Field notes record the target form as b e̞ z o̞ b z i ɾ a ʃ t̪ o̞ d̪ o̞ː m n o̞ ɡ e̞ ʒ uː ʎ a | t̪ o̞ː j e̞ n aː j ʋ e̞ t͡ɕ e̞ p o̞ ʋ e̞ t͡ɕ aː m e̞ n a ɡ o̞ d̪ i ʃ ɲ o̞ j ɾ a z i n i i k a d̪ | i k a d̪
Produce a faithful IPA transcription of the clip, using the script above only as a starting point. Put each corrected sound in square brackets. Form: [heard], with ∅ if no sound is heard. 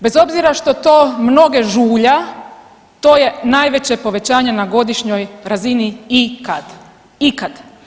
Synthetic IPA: b e̞ z o̞ b z i ɾ a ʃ t̪ o̞ [t̪] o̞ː m n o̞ ɡ e̞ ʒ uː ʎ a | t̪ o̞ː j e̞ n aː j ʋ e̞ t͡ɕ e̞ p o̞ ʋ e̞ t͡ɕ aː [ɲ] e̞ n a ɡ o̞ d̪ i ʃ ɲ o̞ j ɾ a z i n i i k a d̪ | i k a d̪